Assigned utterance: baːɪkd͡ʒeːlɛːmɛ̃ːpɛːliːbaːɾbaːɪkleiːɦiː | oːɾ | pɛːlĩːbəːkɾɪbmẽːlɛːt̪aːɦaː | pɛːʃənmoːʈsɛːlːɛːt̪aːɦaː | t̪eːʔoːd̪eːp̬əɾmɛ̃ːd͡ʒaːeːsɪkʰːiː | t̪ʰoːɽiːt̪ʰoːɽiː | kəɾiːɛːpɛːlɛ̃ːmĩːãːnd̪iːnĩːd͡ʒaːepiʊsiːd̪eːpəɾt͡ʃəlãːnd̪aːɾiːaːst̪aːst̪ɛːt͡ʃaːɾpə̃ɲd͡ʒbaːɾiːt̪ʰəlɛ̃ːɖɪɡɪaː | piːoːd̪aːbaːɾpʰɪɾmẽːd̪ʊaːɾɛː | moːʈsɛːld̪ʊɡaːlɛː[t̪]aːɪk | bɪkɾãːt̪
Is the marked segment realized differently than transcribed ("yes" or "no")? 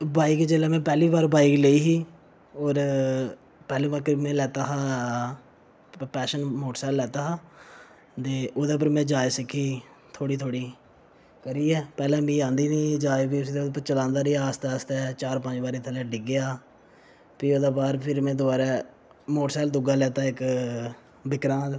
no